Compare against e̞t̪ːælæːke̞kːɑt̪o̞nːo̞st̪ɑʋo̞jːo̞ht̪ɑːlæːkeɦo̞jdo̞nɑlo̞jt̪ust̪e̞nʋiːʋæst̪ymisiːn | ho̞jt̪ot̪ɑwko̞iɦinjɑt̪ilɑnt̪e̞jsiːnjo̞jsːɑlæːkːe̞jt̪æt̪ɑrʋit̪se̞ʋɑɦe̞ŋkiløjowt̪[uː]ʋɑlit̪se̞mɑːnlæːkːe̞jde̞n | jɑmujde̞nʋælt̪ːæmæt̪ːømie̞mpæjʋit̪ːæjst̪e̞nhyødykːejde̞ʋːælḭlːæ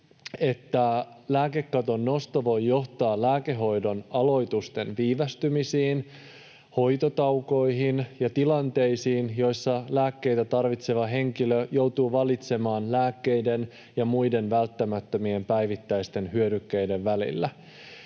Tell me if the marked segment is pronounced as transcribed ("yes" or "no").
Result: yes